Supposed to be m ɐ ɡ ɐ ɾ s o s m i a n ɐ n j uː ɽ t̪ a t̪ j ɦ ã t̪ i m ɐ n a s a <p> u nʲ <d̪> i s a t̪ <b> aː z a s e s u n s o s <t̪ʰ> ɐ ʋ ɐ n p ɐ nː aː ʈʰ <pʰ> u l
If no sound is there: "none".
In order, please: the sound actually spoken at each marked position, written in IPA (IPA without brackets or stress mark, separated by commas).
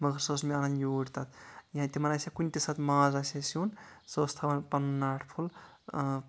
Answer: k, t̪, m, t̪ʰ, pʰ